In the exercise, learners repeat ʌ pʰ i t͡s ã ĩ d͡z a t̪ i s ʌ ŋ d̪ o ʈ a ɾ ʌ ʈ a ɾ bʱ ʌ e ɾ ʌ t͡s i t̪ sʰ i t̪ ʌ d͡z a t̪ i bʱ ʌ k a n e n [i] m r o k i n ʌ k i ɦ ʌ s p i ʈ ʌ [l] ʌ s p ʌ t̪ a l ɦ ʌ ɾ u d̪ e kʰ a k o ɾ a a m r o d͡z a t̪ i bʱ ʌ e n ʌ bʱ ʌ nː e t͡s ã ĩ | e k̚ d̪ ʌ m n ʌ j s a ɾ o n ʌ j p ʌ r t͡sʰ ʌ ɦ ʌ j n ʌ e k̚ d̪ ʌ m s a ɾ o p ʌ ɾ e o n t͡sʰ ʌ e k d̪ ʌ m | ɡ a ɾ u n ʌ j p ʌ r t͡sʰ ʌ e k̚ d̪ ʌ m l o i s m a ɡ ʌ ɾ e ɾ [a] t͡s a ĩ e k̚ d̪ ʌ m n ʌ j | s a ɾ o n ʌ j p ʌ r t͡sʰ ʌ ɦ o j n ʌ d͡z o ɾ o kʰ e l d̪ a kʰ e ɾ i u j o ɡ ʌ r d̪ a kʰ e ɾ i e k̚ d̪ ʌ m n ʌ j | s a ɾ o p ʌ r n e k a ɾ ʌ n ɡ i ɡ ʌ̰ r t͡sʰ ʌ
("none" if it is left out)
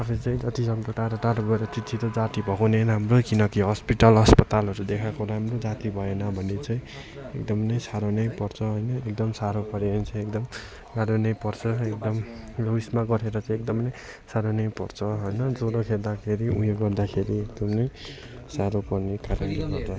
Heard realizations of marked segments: a, l, ʌ

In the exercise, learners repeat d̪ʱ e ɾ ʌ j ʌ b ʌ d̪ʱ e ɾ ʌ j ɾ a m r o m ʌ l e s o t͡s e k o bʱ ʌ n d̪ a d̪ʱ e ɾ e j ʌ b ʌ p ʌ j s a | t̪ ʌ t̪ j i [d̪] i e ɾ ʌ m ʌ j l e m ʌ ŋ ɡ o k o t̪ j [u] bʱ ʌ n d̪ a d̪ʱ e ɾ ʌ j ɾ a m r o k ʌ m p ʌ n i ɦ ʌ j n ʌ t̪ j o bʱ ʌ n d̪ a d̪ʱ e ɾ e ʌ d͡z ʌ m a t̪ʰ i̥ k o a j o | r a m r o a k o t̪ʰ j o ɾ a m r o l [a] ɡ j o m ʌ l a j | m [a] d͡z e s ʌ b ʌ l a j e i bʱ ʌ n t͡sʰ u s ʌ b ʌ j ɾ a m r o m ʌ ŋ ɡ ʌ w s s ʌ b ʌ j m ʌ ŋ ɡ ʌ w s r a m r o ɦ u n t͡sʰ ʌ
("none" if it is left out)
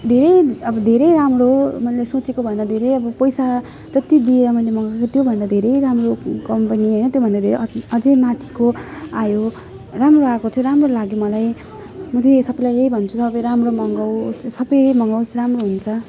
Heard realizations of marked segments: d̪, o, a, ʌ

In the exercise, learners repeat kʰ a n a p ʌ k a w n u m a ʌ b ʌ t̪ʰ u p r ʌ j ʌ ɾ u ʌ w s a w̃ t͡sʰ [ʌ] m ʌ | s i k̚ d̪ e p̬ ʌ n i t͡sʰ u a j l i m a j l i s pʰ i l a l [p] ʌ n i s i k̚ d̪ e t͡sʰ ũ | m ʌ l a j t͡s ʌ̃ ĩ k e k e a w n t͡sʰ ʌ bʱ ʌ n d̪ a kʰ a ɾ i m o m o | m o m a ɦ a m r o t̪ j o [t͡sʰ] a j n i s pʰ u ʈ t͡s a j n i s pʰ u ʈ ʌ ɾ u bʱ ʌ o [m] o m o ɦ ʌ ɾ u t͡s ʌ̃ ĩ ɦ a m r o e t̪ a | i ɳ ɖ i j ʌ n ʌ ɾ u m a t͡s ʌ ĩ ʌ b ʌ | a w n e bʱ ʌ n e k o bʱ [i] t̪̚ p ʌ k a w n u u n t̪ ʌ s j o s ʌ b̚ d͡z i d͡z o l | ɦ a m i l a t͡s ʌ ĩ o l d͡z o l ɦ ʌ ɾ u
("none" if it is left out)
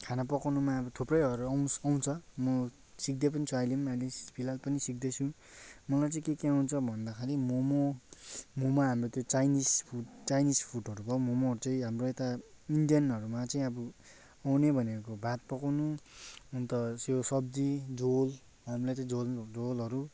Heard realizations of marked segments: ʌ, p, t͡s, m, a

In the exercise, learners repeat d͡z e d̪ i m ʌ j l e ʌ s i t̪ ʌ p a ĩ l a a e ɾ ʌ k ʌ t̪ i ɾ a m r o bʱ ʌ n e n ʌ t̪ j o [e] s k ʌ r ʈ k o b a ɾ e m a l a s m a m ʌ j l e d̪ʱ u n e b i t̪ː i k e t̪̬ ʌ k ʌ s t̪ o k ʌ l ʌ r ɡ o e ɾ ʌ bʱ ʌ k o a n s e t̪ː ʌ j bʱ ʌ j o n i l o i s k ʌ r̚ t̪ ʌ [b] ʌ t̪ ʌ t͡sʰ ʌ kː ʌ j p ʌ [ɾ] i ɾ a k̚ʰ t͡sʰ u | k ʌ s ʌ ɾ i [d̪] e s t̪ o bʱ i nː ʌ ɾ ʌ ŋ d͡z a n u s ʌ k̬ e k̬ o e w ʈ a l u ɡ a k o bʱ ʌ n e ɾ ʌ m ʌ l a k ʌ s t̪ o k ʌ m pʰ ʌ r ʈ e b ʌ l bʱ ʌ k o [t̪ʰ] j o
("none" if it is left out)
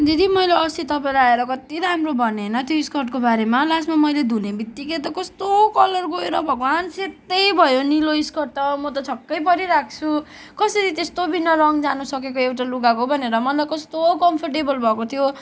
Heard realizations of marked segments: i, m, ɾ, t̪, t̪ʰ

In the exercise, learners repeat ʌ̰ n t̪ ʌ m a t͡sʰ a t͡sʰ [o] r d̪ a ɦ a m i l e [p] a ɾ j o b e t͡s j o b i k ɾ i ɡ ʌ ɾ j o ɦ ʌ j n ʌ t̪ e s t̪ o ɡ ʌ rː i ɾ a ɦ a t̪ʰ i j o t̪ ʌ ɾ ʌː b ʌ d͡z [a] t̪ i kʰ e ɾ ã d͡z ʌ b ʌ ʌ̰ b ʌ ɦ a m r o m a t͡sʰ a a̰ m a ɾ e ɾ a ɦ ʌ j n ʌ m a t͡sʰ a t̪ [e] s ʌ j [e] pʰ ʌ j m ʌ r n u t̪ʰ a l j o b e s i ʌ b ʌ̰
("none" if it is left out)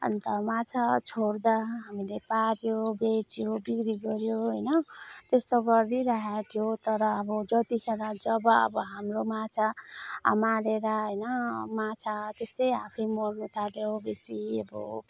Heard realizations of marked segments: o, p, ʌ, e, a

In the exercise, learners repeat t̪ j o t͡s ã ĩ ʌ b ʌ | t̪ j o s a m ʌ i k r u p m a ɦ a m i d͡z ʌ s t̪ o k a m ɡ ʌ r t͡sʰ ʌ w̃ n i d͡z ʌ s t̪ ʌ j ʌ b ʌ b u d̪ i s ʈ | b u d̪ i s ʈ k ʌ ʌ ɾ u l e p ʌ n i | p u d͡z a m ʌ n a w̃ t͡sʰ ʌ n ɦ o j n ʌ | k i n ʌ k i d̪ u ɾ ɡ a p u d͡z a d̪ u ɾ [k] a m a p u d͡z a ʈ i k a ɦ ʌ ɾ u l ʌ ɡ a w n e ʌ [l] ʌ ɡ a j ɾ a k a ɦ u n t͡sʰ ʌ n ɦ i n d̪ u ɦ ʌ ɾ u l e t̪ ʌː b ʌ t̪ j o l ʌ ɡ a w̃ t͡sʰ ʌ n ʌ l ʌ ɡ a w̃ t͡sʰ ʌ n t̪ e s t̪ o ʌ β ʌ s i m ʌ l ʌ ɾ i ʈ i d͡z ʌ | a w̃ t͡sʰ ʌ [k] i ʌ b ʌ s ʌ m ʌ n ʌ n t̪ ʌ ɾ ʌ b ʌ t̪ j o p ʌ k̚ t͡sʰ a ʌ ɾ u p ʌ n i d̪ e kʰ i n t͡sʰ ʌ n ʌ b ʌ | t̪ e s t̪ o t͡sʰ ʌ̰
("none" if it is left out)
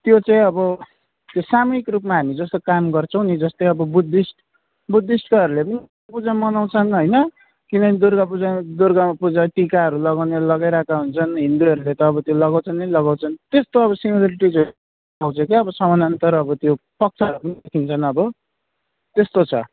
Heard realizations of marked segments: ɡ, l, k

